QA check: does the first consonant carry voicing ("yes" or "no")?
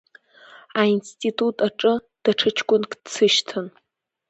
yes